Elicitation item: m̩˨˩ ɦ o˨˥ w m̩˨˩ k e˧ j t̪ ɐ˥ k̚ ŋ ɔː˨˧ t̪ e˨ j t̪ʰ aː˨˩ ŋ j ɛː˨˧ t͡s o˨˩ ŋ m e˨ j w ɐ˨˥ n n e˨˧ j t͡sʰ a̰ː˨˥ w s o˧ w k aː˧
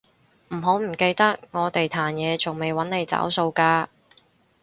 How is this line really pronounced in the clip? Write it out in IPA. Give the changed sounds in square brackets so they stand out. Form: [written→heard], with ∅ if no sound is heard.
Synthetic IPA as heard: m̩˨˩ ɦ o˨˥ w m̩˨˩ k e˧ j t̪ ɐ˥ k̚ ŋ ɔː˨˧ t̪ e˨ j t̪ʰ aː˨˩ [ŋ→n] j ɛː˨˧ t͡s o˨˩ ŋ m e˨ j w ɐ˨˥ n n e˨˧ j [t͡sʰ→t͡s] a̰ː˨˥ w s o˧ w k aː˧